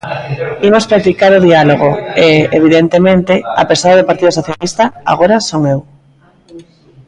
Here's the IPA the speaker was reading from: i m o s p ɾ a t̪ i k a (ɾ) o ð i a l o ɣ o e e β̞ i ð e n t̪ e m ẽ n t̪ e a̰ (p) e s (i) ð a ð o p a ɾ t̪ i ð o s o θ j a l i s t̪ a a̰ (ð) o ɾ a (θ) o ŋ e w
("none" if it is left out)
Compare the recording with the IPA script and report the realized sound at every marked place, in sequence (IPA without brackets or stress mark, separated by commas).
ɾ, p, a, ɣ, s